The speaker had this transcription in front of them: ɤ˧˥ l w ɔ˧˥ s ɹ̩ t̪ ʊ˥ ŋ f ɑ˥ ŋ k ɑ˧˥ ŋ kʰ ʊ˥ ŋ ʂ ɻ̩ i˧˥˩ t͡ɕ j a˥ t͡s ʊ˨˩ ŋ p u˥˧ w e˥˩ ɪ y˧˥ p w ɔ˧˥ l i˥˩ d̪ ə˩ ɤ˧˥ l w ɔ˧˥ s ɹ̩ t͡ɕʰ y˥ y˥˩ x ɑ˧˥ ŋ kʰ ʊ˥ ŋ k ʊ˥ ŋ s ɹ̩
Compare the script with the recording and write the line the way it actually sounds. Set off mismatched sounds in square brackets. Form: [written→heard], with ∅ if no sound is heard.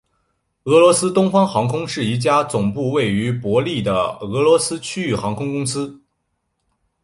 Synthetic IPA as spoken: ɤ˧˥ l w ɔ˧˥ s ɹ̩ t̪ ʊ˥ ŋ f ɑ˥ ŋ [k→x] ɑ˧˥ ŋ kʰ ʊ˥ ŋ ʂ ɻ̩ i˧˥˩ t͡ɕ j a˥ t͡s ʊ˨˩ ŋ p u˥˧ w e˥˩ ɪ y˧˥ p w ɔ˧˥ l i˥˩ d̪ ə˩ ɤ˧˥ l w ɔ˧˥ s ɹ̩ t͡ɕʰ y˥ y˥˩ x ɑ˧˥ ŋ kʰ ʊ˥ ŋ k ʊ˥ ŋ s ɹ̩